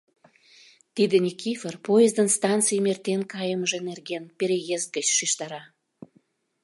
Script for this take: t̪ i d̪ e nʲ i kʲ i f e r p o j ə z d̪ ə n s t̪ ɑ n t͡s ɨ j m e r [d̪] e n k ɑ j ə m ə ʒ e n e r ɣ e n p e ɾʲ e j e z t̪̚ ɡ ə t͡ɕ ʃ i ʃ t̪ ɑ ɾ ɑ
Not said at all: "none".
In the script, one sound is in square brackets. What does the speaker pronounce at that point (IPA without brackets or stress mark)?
t̪